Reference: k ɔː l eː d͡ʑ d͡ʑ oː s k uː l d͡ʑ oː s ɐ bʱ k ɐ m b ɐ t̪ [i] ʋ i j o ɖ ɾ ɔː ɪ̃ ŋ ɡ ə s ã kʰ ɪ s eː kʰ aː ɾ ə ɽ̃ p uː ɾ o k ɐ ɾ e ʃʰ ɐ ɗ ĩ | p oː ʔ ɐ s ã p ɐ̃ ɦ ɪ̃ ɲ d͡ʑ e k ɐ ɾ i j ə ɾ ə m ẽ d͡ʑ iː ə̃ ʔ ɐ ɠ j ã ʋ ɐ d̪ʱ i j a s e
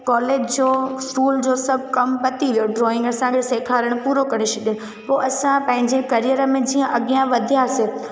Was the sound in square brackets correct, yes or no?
yes